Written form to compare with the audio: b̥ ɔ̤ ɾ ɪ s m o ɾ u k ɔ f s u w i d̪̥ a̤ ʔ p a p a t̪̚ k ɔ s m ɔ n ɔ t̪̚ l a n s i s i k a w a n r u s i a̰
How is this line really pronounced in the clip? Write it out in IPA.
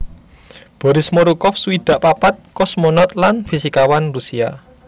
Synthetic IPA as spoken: b̥ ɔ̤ ɾ ɪ s m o ɾ u k ɔ f s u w i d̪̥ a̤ ʔ p a p a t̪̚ k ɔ s m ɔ n ɔ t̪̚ l a n f i s i k a w a n r u s i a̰